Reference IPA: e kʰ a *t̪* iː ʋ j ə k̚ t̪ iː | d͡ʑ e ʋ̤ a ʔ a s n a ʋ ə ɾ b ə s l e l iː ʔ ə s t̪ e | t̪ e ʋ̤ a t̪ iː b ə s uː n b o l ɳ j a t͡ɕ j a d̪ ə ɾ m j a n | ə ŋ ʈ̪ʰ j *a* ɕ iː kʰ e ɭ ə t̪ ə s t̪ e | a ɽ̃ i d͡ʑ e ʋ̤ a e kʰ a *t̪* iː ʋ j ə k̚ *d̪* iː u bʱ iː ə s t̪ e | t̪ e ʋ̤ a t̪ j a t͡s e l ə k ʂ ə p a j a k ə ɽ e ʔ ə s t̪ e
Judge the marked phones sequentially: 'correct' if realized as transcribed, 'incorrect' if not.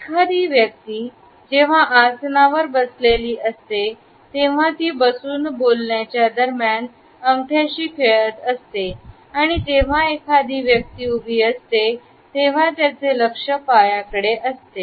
incorrect: d̪, correct, incorrect: d̪, incorrect: t̪

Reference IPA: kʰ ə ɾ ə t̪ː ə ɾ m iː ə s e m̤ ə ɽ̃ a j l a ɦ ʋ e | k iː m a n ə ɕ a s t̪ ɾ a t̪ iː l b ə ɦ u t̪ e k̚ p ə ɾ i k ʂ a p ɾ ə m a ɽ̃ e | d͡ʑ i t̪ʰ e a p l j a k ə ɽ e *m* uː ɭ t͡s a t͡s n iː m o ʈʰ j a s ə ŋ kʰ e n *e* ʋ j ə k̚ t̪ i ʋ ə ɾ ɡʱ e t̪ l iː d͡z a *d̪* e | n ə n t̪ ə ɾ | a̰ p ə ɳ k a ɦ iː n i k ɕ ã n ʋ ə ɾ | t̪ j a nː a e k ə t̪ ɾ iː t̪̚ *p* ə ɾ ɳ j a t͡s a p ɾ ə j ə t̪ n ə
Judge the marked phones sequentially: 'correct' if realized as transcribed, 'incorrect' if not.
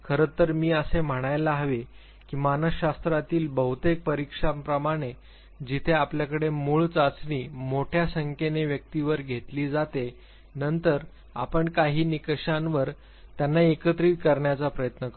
correct, correct, incorrect: t̪, incorrect: k

